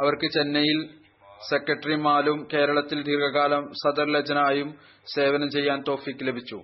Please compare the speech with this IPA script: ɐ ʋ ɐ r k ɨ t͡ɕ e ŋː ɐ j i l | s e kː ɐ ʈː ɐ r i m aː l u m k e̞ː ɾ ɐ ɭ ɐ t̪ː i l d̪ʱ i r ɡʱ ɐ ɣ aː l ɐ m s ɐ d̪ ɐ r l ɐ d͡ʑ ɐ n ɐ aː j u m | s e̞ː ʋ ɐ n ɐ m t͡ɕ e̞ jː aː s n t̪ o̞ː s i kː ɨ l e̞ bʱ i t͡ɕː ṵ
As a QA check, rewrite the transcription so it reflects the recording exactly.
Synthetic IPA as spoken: ɐ ʋ ɐ r k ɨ t͡ɕ e nː ɐ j i l | s e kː ɐ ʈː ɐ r i m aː l u m k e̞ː ɾ ɐ ɭ ɐ t̪ː i l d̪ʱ i r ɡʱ ɐ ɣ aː l ɐ m s ɐ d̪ ɐ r l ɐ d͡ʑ ɐ n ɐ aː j u m | s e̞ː ʋ ɐ n ɐ m t͡ɕ e̞ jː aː n t̪ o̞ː f i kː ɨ l e̞ bʱ i t͡ɕː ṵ